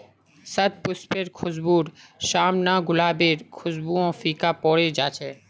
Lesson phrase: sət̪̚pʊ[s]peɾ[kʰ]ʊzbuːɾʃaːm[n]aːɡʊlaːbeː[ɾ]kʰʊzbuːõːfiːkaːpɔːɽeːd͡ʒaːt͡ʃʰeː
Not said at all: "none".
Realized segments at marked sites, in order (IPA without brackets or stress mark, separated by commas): s, kʰ, n, ɾ